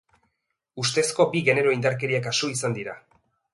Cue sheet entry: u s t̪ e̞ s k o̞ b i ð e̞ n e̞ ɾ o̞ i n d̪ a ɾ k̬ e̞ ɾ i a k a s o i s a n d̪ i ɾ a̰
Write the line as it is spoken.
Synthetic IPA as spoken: u s t̪ e̞ s k o̞ b i ɣ e̞ n e̞ ɾ o̞ i n d̪ a ɾ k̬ e̞ ɾ i a k a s o i s a n d̪ i ɾ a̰